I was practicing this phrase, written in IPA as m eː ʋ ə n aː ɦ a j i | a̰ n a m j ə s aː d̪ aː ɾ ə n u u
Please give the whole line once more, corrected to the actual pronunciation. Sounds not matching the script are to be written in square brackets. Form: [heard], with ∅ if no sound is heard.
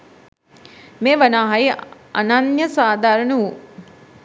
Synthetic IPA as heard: m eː ʋ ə n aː ɦ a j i | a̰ n a [n] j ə s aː d̪ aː ɾ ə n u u